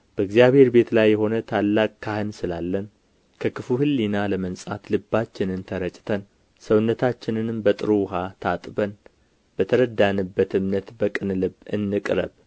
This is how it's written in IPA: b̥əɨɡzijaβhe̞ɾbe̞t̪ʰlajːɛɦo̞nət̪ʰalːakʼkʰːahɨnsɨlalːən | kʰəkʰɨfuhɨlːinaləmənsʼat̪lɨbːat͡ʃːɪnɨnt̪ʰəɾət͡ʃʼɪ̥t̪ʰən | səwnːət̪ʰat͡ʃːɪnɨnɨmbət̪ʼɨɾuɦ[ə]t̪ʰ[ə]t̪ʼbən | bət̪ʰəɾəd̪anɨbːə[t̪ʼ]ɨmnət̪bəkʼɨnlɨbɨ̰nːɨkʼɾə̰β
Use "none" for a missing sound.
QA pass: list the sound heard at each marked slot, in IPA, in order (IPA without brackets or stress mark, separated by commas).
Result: a, a, t̪